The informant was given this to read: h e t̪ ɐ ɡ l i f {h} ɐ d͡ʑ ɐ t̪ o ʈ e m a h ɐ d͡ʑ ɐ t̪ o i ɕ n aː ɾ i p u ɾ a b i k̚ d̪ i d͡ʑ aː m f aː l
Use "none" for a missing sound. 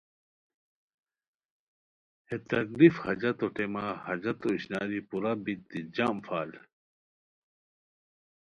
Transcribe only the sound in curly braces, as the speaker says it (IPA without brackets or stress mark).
h